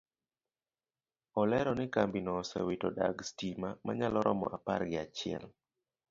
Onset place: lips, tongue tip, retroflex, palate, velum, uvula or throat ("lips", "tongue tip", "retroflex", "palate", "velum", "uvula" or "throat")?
tongue tip